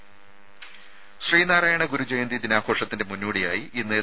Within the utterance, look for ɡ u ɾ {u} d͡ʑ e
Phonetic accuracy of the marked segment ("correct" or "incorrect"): correct